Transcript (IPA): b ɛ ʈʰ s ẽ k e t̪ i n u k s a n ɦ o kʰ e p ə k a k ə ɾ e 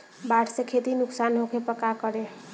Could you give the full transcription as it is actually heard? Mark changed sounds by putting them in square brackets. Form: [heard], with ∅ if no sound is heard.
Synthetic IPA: b [a] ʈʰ s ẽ [kʰ] e t̪ i n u k s a n ɦ o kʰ e p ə k a k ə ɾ e